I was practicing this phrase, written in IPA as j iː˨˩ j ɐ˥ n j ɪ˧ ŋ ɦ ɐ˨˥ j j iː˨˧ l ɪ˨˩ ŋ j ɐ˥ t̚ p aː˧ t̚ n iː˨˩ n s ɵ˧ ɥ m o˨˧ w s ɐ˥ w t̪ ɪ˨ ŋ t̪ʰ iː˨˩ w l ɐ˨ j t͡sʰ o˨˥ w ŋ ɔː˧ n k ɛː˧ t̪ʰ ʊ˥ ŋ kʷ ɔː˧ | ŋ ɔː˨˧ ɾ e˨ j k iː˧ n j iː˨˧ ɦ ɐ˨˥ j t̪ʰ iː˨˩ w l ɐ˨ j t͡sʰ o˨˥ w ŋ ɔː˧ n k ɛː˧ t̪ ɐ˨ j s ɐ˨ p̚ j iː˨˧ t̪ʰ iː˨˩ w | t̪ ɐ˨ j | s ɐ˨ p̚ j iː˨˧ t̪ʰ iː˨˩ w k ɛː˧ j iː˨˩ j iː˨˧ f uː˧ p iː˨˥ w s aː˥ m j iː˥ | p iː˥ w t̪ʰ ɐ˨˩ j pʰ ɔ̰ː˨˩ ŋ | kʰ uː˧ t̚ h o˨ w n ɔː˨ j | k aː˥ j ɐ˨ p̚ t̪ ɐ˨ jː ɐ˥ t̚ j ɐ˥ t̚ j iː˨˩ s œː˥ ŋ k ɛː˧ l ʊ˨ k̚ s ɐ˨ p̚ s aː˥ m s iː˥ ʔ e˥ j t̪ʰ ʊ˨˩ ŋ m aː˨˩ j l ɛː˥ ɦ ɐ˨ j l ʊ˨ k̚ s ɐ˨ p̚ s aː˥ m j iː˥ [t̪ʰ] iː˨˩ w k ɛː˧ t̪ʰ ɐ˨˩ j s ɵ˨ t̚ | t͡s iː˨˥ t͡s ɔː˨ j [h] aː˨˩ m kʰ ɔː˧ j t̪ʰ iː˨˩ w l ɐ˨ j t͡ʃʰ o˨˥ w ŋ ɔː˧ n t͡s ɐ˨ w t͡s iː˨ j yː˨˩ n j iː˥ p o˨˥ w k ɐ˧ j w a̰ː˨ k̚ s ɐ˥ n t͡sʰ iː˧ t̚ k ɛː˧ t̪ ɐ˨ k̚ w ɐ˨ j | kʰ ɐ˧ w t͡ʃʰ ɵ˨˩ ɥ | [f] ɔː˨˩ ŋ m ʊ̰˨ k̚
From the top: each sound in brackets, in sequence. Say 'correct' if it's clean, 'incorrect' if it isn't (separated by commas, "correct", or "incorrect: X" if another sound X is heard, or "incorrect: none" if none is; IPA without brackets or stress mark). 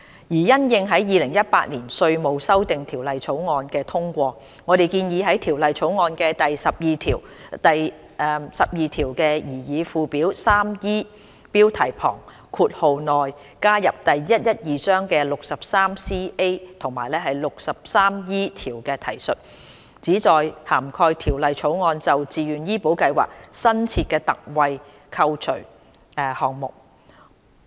correct, correct, incorrect: h